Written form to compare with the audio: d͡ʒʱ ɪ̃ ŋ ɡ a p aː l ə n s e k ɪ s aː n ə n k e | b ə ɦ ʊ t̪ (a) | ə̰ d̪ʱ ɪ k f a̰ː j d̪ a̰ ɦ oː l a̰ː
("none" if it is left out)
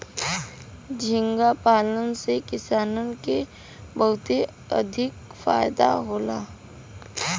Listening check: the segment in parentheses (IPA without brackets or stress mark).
e